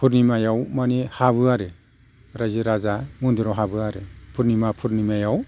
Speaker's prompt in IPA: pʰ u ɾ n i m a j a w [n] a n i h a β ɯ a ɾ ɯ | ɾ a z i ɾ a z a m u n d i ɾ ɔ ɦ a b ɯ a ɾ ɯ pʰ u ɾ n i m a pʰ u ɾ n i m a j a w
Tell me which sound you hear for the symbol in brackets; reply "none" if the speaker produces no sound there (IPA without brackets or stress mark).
m